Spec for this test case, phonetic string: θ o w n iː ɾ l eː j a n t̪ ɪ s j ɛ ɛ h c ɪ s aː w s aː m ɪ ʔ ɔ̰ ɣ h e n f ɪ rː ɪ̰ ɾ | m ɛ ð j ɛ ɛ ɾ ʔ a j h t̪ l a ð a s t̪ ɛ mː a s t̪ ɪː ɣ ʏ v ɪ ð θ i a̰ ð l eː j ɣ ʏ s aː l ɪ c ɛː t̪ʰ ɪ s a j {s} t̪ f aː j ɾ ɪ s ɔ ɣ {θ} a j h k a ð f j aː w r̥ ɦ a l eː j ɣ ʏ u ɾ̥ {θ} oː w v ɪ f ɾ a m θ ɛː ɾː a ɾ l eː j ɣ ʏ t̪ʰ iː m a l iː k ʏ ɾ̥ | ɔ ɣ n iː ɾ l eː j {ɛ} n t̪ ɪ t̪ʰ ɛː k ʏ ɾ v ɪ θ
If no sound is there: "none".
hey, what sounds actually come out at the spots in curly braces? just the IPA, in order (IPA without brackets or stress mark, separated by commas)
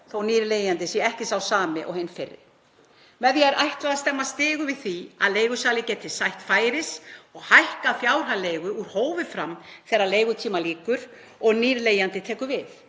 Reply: h, h, h, a